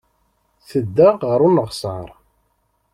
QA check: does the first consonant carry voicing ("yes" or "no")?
no